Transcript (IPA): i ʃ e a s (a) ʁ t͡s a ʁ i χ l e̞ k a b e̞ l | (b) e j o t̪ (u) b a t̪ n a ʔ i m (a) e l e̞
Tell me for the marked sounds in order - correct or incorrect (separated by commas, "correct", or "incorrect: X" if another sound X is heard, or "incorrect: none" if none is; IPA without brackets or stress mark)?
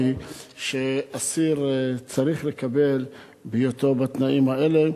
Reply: incorrect: i, correct, incorrect: o, correct